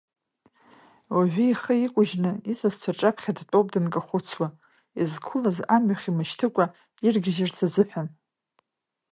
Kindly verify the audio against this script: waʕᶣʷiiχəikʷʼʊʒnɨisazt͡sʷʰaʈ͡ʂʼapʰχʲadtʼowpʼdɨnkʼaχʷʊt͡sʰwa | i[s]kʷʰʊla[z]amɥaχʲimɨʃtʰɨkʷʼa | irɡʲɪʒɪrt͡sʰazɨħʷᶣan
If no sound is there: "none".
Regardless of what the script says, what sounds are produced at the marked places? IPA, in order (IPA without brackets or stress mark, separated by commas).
z, z